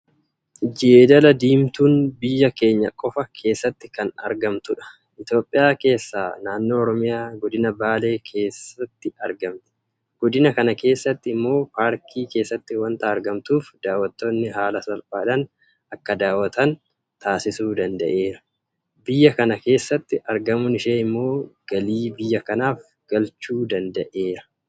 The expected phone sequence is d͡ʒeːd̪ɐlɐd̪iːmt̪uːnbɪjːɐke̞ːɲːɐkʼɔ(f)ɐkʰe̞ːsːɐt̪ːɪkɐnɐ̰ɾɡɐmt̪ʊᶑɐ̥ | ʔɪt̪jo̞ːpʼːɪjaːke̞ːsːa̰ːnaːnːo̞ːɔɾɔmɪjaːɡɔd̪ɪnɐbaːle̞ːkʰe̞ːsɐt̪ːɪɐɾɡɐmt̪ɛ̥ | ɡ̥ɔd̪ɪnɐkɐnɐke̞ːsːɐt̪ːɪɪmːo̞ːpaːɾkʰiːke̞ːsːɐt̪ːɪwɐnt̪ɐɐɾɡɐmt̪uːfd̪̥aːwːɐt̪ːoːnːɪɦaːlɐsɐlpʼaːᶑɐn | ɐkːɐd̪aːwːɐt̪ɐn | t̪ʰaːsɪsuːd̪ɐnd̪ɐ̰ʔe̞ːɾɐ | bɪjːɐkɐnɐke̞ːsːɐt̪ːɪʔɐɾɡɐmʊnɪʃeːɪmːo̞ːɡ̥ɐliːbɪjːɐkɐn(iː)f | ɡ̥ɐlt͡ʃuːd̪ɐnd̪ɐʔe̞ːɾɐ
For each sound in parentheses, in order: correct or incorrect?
correct, incorrect

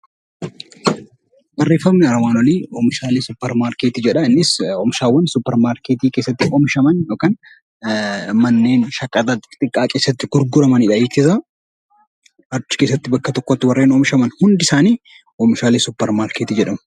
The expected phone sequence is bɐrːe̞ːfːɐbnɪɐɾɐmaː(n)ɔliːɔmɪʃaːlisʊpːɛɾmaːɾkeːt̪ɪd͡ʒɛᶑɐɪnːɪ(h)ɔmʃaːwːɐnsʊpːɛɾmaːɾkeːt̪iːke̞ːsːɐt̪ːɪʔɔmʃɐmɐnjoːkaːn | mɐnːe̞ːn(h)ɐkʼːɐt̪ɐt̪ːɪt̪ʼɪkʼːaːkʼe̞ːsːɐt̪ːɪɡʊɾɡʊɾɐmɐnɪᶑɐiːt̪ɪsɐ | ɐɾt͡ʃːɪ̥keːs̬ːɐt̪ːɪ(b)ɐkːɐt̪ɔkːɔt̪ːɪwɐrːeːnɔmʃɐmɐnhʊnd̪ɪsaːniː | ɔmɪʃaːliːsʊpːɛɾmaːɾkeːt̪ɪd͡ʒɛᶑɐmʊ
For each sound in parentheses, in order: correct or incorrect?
correct, incorrect, incorrect, correct

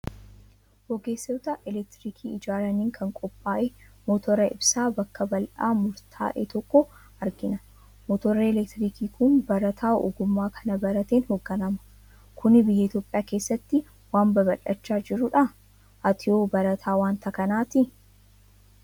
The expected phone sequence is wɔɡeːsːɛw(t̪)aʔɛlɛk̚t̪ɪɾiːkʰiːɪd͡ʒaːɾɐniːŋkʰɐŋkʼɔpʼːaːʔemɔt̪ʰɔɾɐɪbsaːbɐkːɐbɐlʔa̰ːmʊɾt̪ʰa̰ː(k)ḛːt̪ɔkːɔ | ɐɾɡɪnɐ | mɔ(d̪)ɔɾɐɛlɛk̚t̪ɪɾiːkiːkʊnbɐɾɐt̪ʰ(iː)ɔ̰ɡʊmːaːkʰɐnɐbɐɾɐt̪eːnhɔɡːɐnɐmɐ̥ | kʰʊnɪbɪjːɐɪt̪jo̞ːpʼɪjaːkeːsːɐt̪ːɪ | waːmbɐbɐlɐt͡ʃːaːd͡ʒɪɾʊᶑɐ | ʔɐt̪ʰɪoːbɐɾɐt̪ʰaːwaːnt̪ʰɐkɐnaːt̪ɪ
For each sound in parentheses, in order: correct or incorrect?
correct, incorrect, incorrect, incorrect

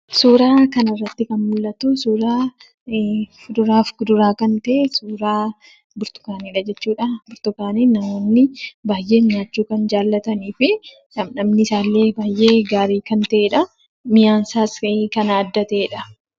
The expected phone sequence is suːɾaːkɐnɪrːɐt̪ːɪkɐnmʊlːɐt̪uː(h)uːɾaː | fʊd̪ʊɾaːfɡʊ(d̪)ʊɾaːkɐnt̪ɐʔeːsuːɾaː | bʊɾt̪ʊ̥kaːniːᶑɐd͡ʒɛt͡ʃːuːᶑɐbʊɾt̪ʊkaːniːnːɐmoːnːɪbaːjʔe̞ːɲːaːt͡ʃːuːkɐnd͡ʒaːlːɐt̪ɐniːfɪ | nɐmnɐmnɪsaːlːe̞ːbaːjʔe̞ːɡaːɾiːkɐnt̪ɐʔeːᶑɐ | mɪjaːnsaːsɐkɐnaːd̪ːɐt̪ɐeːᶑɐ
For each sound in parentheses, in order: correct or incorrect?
incorrect, correct

